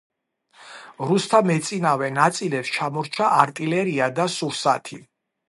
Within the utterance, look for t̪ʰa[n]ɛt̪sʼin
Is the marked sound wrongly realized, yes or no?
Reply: yes